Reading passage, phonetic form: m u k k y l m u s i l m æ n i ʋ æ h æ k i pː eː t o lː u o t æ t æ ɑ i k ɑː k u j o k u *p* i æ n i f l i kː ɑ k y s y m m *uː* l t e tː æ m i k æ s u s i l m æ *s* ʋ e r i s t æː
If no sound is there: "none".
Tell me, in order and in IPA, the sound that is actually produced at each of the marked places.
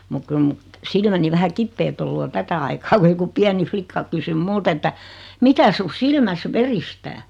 p, u, s

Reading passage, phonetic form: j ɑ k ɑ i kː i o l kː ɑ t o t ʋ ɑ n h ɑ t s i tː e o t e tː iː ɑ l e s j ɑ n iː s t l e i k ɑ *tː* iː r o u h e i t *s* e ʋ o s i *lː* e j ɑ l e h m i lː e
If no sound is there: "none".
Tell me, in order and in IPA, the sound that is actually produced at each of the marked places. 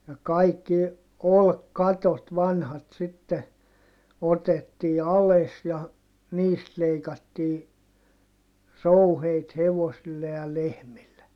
tː, h, lː

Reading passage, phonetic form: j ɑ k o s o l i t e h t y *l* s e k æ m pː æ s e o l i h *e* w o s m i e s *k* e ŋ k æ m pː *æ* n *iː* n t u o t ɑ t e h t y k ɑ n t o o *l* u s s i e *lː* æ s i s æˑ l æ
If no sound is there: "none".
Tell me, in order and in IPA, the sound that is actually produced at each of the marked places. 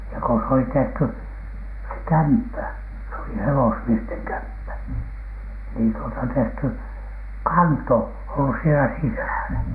none, e, t, æ, iː, lː, l

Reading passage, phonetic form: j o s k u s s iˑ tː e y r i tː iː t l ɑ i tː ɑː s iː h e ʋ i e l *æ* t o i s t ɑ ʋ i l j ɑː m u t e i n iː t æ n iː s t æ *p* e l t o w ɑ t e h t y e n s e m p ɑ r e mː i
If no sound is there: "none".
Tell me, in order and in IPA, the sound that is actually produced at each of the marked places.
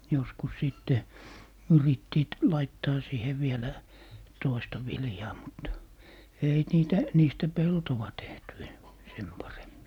æ, p

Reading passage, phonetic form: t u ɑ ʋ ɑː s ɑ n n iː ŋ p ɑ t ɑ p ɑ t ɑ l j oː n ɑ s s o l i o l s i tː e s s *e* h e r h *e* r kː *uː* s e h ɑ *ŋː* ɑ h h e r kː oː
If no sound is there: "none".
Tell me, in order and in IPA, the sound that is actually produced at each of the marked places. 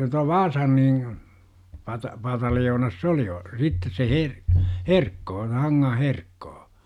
e, e, oː, ŋː

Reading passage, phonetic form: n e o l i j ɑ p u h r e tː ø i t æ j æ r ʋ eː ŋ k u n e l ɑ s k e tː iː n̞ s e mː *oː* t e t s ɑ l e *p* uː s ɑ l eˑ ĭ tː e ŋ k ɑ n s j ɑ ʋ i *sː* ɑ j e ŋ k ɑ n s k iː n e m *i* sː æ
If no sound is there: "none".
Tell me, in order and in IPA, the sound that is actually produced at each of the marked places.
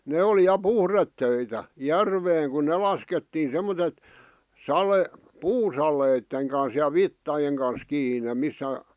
o, p, tː, i

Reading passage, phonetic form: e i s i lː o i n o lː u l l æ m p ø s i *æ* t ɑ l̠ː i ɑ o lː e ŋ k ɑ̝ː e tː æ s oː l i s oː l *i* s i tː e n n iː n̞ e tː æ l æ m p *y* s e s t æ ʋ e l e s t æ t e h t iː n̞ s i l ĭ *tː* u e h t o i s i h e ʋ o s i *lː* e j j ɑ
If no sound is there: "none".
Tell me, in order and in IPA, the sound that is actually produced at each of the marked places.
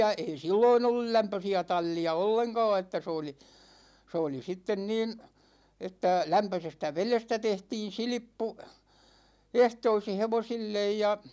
æ, i, ø, pː, lː

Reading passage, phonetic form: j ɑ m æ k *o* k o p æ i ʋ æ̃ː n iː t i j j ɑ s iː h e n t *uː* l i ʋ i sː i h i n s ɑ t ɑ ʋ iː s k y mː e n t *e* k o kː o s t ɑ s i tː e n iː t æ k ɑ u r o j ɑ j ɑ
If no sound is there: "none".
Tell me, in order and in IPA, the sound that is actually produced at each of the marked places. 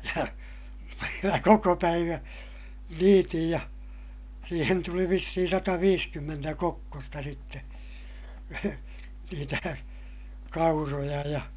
o, u, æ

